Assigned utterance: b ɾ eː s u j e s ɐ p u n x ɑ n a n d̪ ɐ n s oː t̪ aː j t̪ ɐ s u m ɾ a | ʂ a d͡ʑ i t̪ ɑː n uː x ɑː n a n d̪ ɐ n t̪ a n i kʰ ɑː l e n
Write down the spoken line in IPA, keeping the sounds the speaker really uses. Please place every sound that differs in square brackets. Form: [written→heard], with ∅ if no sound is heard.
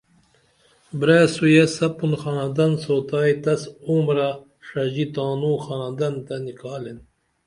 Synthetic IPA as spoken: b ɾ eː s u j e s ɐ p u n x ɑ n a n d̪ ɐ n s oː t̪ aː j t̪ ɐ s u m ɾ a | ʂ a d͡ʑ i t̪ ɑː n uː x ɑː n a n d̪ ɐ n t̪ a n i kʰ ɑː l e n